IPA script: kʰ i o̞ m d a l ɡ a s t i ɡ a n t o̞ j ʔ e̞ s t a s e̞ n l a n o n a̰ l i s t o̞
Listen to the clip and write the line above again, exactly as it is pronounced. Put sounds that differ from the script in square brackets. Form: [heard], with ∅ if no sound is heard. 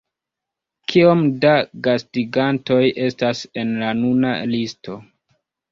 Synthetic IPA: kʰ i o̞ m d a [∅] ɡ a s t i ɡ a n t o̞ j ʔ e̞ s t a s e̞ n l a n [u] n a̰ l i s t o̞